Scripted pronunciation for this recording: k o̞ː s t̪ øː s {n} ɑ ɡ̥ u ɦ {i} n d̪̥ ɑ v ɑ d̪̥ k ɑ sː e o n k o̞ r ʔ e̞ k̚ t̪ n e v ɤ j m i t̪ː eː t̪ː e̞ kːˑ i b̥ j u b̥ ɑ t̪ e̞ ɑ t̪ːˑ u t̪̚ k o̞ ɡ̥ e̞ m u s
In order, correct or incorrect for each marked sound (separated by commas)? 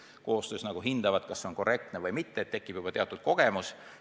correct, correct